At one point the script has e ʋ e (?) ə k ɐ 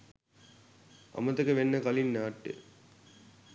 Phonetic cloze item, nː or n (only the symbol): nː